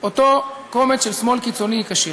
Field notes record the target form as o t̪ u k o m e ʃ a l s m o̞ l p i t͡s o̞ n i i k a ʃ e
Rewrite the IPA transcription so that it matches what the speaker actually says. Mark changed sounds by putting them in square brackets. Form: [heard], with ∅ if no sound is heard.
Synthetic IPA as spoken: o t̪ [o] k o m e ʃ [e] l s m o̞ l [k] i t͡s o̞ n i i k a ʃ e